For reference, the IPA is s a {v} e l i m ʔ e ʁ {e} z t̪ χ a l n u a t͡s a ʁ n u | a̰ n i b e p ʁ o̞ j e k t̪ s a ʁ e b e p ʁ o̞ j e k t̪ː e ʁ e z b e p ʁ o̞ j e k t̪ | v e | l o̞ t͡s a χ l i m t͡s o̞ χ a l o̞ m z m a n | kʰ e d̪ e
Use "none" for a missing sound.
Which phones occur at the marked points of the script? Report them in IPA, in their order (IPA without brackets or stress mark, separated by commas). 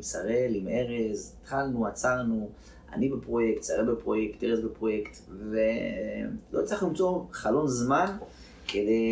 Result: ʁ, e